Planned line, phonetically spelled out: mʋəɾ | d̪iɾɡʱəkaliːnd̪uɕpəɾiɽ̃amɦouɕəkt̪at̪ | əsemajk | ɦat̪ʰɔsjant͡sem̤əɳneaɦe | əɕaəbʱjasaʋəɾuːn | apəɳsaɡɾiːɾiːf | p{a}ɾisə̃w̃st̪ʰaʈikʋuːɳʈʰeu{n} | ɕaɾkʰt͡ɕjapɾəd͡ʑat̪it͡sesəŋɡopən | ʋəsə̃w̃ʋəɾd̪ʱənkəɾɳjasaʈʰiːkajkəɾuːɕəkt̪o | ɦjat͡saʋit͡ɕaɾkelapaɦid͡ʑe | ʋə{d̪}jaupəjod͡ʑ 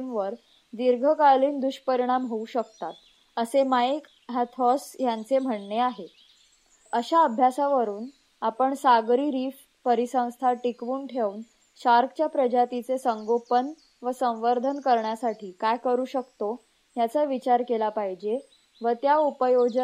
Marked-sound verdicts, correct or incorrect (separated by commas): incorrect, correct, incorrect